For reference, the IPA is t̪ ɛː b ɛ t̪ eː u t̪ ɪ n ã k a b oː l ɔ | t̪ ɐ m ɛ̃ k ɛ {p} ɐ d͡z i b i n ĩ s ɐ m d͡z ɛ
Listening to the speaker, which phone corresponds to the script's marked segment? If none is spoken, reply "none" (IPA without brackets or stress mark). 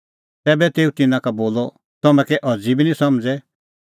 ʔ